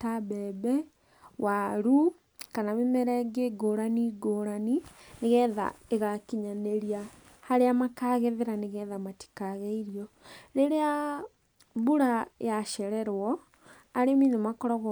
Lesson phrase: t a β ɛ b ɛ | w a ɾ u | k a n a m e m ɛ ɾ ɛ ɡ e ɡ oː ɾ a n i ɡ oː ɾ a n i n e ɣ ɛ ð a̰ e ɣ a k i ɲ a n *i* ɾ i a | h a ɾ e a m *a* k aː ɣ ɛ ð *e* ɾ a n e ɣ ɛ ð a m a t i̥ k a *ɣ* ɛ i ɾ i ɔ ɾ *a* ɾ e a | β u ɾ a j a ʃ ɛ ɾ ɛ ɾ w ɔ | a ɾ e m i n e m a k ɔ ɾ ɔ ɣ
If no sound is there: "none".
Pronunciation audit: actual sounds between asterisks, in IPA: e, a, e, ɣ, e

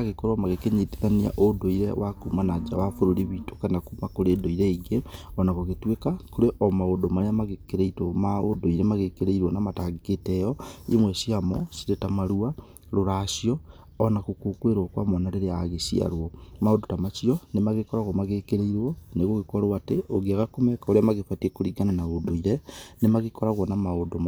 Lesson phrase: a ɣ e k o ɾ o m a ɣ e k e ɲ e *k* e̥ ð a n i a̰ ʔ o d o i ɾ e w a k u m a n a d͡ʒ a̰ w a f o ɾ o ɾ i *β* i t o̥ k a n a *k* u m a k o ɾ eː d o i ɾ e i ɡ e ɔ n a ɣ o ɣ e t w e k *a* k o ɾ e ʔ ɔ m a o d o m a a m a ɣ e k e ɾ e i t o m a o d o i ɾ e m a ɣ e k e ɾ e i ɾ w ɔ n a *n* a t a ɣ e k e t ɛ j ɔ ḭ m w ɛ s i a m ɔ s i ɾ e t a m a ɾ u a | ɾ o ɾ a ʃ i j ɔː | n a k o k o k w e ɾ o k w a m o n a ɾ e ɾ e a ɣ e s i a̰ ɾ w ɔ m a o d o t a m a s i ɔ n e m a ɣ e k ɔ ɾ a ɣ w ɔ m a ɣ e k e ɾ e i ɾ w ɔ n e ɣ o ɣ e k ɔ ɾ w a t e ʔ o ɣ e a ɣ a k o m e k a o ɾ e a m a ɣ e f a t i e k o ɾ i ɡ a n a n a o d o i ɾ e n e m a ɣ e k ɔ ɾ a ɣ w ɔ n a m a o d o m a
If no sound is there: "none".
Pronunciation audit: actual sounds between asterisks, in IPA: t, β, k, a, m

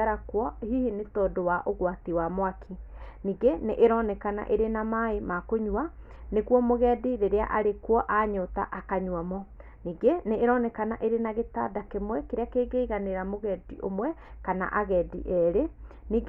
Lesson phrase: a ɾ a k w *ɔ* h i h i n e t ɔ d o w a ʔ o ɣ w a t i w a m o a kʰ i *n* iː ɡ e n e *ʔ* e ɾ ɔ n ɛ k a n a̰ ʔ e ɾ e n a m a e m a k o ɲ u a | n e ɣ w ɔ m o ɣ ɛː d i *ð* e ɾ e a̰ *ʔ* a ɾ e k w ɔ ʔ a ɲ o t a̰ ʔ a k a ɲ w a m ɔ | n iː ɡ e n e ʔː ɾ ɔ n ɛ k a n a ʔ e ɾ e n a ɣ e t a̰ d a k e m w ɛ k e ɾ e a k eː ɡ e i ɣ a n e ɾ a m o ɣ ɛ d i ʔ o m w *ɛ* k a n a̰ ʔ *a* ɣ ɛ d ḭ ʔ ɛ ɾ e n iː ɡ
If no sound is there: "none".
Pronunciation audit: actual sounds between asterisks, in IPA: ɔ, n, ʔ, ð, ʔ, ɛ, a

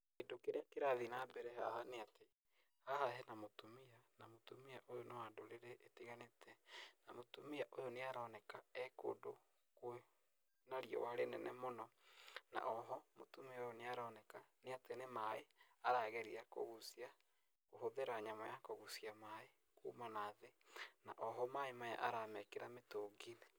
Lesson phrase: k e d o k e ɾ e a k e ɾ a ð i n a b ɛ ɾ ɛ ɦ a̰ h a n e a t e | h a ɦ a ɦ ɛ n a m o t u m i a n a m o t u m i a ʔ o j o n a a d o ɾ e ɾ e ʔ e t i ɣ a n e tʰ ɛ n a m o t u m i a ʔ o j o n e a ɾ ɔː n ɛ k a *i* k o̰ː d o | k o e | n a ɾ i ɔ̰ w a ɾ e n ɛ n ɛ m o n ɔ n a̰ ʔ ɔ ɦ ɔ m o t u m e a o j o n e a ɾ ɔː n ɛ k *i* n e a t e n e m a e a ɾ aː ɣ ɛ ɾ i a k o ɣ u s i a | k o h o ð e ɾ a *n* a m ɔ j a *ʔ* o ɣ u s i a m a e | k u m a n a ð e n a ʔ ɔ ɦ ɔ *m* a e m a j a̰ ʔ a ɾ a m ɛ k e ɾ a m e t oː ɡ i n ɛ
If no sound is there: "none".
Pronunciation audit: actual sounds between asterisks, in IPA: ɛ, a, ɲ, k, m

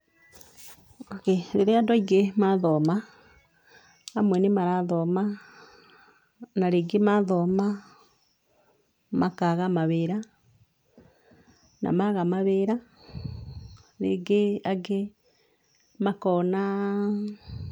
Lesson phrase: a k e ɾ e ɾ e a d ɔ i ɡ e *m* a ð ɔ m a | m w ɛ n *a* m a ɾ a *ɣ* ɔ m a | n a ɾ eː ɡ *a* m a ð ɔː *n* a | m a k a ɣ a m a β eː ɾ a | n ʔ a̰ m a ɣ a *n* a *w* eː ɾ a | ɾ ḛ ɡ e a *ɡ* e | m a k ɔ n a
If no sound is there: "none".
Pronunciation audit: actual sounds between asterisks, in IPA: m, e, ð, e, m, m, β, ɡ

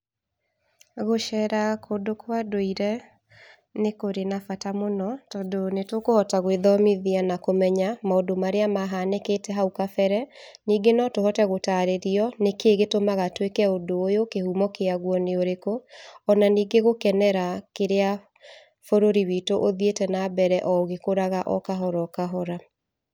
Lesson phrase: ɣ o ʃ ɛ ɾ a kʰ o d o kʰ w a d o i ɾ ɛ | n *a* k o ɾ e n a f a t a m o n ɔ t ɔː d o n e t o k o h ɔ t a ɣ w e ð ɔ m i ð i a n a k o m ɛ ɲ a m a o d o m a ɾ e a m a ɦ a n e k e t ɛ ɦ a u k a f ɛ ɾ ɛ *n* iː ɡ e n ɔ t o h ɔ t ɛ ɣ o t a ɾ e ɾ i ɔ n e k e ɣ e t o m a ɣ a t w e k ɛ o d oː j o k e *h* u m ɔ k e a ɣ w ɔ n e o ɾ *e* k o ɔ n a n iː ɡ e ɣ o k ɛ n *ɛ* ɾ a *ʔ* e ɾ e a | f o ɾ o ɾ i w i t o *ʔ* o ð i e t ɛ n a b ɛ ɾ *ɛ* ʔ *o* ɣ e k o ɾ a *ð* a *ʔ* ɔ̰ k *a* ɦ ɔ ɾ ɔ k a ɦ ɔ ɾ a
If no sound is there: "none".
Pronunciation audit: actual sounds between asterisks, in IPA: e, n, h, e, ɛ, k, ʔ, ɛ, ɔ, ɣ, ʔ, a

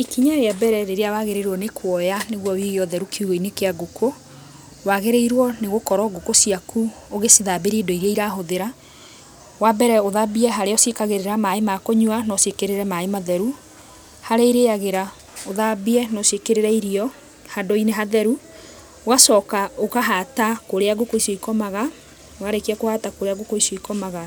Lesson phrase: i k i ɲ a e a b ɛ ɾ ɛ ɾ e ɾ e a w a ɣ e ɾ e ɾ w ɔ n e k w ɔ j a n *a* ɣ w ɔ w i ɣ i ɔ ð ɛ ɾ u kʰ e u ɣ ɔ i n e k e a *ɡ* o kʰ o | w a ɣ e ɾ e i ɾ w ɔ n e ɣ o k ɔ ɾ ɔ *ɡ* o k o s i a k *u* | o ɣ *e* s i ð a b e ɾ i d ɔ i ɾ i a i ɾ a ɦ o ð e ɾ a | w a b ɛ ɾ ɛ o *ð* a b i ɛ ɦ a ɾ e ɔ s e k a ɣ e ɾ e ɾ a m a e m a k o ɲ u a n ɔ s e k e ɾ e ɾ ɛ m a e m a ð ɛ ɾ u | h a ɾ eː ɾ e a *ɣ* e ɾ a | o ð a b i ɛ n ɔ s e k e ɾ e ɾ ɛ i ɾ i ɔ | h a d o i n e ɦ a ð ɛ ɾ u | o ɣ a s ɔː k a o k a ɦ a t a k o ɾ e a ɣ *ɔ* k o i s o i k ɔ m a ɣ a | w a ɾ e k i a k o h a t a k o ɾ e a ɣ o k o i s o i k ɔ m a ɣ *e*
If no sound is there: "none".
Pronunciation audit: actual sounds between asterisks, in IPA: e, ɡ, ɡ, u, e, ð, ɣ, o, a

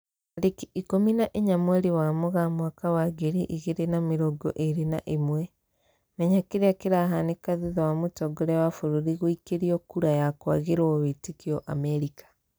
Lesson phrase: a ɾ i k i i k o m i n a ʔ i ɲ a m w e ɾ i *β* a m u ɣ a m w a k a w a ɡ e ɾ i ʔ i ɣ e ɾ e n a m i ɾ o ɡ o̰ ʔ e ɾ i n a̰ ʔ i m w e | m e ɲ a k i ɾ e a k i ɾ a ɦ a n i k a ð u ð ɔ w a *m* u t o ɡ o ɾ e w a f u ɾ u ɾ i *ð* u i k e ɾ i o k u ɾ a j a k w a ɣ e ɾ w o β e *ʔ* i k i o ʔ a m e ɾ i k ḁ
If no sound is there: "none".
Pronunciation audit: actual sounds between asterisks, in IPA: w, m, ɣ, t

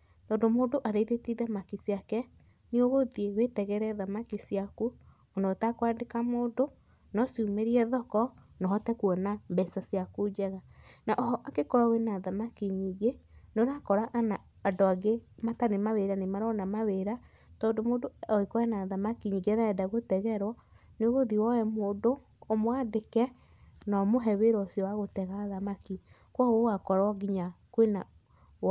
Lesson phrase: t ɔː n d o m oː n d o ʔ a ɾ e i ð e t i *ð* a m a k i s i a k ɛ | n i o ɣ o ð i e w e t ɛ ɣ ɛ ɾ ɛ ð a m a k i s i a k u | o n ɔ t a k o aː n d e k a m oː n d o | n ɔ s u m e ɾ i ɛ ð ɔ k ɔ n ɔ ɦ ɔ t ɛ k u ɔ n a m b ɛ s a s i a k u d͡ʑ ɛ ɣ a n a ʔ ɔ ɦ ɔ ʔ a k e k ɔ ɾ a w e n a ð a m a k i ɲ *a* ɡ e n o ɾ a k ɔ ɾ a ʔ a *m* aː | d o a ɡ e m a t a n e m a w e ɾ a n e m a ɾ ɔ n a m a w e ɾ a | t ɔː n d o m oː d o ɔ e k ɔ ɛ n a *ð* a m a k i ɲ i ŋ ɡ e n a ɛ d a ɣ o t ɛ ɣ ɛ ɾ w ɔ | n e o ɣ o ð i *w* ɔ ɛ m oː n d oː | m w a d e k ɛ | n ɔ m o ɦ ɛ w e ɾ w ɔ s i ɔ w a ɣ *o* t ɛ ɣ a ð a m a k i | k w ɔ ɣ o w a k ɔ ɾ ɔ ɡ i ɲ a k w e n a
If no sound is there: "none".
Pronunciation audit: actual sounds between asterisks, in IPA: ð, i, n, ð, w, o

